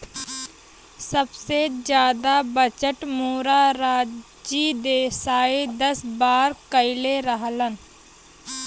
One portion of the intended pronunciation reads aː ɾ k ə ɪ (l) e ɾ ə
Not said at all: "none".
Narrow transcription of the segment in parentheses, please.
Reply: l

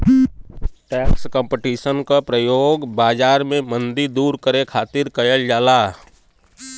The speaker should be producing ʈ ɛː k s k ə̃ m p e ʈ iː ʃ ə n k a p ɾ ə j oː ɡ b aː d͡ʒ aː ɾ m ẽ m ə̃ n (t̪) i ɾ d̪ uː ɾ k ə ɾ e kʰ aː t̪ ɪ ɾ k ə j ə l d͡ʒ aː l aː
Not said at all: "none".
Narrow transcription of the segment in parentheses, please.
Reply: d̪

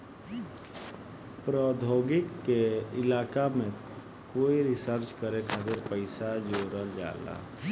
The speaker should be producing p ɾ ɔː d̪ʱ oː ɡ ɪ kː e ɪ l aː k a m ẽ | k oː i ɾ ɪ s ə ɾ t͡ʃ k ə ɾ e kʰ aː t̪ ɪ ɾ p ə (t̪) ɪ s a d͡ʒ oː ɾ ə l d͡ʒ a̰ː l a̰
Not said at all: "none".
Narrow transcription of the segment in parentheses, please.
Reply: none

